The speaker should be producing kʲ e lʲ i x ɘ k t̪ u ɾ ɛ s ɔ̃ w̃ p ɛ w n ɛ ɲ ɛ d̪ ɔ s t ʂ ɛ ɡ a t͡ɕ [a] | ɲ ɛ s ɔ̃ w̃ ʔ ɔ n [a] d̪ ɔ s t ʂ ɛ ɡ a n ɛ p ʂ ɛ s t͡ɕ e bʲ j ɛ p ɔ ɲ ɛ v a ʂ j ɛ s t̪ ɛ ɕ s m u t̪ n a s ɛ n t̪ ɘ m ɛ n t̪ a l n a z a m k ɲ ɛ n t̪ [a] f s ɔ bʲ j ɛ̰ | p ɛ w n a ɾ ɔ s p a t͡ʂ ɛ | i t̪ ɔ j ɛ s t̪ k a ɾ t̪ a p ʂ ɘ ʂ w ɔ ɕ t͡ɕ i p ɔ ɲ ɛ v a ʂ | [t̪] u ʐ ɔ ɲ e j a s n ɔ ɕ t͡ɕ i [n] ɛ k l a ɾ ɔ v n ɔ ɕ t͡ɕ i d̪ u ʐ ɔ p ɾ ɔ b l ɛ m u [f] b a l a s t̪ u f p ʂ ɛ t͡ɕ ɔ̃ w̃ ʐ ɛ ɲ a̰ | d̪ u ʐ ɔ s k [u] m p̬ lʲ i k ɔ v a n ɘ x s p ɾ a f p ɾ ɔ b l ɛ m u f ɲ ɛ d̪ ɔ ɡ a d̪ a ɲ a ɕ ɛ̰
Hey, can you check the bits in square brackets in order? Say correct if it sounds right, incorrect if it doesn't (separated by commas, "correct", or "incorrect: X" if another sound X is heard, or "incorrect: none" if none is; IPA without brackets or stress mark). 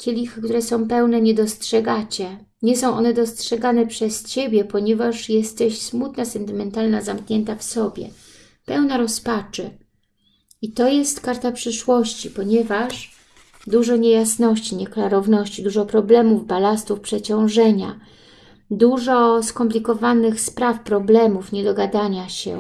incorrect: ɛ, incorrect: ɛ, correct, incorrect: d̪, incorrect: ɲ, incorrect: v, incorrect: ɔ